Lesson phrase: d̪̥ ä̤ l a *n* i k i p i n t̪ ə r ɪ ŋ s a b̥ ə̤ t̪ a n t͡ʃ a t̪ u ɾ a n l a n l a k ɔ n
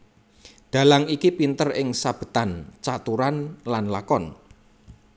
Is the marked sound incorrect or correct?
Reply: incorrect